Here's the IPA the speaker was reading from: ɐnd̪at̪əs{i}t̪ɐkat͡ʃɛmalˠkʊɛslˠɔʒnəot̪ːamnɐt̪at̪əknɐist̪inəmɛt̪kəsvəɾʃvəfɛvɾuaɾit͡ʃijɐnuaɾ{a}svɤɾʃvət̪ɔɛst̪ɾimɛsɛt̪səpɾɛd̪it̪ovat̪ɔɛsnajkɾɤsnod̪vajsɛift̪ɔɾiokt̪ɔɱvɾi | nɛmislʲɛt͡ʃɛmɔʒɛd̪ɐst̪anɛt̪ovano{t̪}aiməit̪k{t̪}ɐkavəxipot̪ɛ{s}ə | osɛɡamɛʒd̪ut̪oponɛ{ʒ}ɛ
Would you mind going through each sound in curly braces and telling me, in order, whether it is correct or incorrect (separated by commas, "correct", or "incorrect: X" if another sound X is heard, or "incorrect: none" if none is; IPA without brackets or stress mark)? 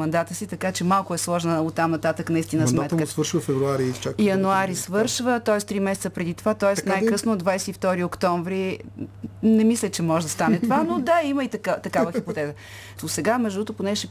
correct, incorrect: i, incorrect: d̪, correct, incorrect: z, incorrect: ʃ